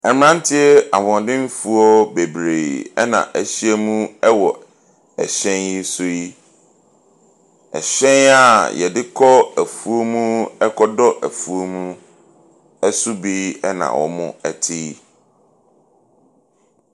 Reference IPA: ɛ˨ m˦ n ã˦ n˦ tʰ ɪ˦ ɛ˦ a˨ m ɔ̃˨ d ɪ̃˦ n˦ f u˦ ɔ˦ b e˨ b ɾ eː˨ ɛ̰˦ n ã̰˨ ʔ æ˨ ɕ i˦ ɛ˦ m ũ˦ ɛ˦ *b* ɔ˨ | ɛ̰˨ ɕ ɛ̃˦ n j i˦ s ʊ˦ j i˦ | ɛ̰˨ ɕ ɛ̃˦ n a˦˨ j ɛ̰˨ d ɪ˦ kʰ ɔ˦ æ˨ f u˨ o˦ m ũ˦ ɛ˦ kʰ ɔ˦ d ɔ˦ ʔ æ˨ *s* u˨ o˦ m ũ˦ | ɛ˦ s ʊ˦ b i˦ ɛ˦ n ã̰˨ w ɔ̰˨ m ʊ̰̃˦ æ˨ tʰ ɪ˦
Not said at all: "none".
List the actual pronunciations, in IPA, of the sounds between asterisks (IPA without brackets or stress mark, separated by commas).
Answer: w, f